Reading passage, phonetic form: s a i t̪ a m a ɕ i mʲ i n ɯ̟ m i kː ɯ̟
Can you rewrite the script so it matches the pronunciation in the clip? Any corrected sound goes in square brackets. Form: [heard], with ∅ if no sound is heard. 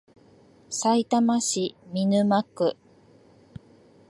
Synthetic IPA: s a i t̪ a m a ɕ i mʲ i n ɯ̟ m [a] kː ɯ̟